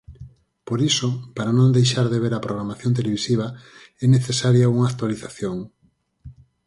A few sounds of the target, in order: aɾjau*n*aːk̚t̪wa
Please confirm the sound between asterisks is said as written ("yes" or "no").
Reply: no